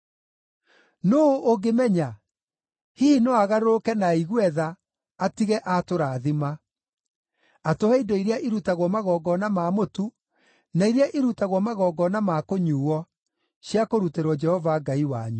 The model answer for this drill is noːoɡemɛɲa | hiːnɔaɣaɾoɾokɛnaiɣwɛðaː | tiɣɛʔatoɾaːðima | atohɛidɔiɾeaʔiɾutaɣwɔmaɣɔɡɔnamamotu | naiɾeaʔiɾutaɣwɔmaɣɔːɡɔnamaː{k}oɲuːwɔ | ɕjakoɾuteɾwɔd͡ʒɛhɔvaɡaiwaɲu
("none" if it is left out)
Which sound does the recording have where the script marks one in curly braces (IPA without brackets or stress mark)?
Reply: k